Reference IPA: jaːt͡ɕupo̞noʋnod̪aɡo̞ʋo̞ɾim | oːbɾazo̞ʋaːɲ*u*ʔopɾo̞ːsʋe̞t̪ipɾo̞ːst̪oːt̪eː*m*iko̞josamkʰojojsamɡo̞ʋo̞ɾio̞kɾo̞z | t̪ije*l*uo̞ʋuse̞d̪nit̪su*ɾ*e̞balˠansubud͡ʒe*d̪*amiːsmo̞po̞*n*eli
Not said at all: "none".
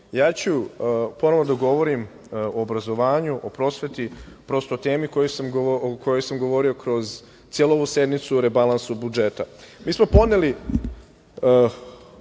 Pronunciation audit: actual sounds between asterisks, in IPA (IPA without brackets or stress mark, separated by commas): u, m, l, ɾ, t̪, n